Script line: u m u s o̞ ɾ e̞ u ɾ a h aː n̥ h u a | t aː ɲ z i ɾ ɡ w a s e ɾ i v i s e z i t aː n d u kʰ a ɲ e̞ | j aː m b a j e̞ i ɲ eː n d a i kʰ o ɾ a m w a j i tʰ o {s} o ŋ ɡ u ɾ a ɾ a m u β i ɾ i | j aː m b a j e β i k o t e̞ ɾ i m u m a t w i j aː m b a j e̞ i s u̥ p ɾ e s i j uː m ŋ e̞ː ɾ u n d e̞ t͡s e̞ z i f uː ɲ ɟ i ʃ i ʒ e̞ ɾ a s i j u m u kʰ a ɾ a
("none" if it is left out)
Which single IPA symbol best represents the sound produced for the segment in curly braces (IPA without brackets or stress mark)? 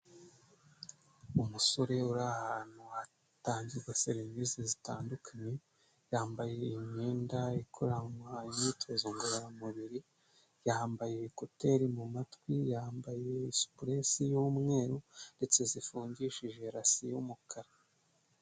z